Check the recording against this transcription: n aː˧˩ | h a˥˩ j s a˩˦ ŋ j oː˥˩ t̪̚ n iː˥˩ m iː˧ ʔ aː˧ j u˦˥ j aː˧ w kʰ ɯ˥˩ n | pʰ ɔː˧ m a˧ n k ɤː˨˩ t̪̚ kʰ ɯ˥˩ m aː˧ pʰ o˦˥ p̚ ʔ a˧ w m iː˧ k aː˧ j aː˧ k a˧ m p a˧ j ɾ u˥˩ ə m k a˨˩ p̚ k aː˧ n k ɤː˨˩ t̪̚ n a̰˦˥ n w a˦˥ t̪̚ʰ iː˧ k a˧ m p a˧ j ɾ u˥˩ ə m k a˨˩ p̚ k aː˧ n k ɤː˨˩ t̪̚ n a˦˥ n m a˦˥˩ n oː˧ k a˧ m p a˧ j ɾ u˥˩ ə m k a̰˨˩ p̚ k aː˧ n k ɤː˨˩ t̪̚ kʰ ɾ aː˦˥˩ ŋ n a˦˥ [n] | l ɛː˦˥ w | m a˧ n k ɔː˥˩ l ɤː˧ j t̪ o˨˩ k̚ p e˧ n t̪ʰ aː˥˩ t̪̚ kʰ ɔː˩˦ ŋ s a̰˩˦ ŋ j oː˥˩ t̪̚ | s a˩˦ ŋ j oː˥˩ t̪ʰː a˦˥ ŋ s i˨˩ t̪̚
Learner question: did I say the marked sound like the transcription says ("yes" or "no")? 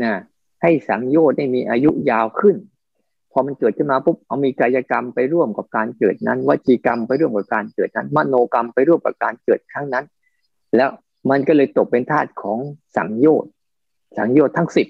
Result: yes